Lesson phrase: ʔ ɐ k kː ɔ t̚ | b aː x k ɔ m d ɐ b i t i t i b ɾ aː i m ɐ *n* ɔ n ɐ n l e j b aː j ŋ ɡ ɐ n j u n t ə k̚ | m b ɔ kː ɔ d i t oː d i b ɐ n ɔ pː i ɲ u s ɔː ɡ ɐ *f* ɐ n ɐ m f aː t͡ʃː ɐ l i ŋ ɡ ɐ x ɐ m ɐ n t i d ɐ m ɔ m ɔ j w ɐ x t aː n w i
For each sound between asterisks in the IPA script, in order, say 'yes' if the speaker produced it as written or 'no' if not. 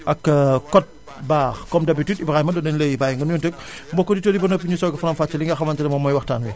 no, yes

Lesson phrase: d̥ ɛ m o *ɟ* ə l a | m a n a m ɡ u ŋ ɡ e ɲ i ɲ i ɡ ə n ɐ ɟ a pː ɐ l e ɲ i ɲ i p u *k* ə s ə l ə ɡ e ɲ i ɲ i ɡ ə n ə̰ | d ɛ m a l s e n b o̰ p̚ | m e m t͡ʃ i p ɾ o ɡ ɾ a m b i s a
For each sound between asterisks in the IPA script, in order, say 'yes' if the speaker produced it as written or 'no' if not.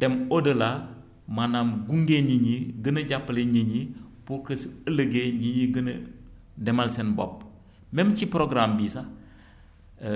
no, yes

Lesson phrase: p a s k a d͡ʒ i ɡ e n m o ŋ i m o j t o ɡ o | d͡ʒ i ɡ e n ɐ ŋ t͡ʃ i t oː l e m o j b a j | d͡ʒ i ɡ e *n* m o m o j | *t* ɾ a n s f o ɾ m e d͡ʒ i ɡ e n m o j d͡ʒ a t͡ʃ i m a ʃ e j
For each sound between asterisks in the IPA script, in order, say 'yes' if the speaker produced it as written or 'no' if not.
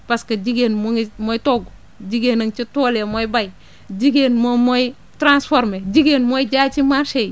yes, yes

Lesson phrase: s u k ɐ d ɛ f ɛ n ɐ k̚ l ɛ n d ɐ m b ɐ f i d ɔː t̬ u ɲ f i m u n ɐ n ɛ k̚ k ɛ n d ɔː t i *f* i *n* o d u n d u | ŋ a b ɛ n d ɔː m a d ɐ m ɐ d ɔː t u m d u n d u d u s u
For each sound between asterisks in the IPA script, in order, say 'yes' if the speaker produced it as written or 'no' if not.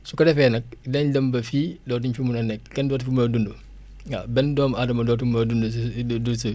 yes, no

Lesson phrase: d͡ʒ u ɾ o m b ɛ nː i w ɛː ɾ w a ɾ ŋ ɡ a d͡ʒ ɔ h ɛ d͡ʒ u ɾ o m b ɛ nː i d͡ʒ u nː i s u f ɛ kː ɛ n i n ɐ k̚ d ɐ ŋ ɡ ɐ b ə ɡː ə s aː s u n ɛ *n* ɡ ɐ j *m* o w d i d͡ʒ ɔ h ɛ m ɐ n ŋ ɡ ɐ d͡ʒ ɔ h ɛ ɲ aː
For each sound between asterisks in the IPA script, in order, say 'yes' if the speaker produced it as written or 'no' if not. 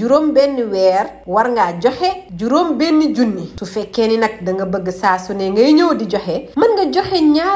no, no

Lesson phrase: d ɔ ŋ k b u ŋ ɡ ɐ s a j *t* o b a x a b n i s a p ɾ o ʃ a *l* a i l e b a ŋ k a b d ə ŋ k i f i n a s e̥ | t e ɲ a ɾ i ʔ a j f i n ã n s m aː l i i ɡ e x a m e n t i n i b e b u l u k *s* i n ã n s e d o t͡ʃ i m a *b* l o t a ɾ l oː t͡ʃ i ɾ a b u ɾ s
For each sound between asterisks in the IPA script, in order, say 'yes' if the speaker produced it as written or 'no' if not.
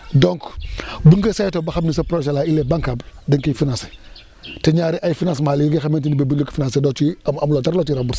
yes, yes, no, no

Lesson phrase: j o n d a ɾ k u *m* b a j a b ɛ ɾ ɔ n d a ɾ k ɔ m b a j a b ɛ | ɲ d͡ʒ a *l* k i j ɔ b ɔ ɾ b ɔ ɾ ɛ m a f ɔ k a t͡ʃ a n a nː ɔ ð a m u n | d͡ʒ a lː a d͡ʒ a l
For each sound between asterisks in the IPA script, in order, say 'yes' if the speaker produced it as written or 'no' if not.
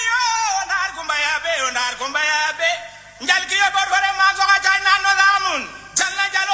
yes, yes

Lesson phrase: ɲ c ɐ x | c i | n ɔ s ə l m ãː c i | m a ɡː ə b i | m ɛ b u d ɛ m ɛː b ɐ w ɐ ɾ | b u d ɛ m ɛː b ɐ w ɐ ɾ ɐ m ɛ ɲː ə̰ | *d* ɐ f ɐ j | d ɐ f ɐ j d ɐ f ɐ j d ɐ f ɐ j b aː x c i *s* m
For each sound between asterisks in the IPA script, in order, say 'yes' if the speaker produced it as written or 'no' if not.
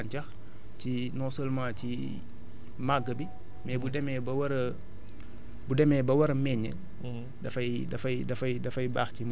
yes, no

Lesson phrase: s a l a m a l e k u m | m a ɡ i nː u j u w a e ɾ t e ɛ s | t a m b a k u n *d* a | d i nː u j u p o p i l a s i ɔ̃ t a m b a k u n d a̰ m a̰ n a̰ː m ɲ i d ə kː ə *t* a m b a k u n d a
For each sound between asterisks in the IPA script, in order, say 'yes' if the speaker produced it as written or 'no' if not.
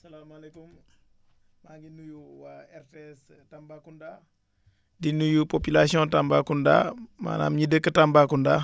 yes, yes

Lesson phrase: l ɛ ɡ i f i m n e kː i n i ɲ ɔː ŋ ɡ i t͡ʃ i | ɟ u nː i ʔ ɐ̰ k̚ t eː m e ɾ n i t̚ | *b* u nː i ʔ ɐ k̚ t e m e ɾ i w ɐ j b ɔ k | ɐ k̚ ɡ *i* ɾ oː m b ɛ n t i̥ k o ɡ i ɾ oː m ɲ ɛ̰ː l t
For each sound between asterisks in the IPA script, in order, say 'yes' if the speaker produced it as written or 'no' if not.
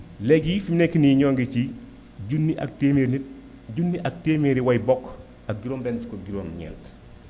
no, yes

